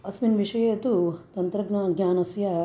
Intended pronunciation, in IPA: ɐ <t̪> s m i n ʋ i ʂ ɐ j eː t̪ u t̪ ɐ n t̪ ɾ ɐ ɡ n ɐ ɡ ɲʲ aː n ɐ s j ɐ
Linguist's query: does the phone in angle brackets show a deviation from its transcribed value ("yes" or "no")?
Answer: yes